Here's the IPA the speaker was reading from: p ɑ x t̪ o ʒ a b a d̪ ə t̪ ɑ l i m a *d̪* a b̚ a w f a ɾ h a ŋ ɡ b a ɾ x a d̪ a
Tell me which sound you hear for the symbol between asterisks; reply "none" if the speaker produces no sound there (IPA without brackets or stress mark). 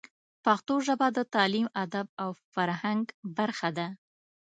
d̪